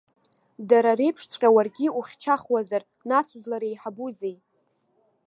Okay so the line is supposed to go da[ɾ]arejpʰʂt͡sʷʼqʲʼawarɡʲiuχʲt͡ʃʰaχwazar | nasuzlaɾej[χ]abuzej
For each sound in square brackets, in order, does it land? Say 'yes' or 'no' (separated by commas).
yes, no